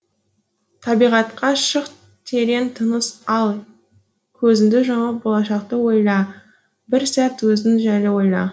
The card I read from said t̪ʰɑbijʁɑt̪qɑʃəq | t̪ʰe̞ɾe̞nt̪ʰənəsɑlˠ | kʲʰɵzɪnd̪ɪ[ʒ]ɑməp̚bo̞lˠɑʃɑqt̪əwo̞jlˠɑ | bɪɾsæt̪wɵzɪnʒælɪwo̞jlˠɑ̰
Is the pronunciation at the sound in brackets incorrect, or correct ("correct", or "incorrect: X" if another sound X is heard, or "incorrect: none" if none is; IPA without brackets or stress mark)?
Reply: correct